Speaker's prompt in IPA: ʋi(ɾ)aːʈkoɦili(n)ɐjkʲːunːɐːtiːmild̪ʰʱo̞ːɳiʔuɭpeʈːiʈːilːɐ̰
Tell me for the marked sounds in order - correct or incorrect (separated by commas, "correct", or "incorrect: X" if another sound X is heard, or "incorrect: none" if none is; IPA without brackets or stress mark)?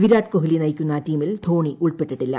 correct, correct